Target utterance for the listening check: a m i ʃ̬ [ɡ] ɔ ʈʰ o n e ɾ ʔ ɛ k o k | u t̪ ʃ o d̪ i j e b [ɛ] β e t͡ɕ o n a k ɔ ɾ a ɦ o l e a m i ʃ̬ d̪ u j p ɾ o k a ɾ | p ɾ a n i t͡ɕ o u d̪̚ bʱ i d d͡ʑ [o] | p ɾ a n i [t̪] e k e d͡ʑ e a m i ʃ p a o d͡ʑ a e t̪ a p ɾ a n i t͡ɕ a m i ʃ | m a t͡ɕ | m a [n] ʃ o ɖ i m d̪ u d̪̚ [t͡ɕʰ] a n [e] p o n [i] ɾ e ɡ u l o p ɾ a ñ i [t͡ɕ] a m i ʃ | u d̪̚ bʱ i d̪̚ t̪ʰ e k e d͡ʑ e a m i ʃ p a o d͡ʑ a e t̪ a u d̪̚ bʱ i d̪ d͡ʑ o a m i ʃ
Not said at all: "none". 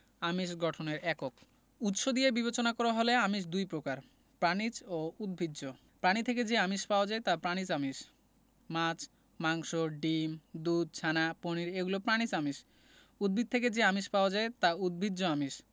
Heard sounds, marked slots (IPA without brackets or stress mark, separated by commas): ɡ, i, o, t̪ʰ, ŋ, t͡ɕʰ, a, i, t͡ɕ